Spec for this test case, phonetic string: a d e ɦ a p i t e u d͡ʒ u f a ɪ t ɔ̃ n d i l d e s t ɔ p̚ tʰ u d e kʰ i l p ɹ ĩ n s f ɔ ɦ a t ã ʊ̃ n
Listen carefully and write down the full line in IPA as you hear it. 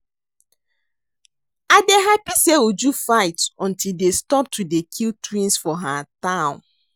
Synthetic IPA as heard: a d e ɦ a p i s e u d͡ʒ u f a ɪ t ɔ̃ n t i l d e s t ɔ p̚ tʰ u d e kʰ i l t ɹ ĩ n s f ɔ ɦ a t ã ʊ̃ n